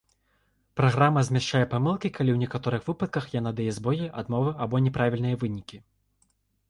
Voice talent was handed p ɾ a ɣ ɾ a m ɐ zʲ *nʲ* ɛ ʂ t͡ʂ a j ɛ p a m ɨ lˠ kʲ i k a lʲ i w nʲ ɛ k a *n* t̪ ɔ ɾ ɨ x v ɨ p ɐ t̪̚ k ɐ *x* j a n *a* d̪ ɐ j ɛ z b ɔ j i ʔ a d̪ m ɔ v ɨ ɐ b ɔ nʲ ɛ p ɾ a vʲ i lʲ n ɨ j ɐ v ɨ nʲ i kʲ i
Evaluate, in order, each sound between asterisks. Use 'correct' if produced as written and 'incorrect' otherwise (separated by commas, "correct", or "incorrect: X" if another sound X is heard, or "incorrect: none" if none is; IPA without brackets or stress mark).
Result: incorrect: mʲ, incorrect: none, correct, correct